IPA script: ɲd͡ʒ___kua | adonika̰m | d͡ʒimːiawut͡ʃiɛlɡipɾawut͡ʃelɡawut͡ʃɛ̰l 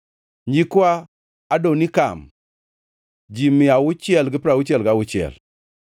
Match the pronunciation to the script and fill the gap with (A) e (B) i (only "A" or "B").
B